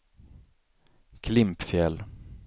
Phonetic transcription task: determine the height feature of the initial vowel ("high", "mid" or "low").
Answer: high